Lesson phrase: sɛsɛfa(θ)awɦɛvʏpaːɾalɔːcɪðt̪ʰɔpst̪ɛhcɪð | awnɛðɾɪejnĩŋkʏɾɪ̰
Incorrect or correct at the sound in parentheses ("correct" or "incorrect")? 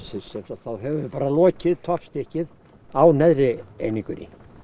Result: correct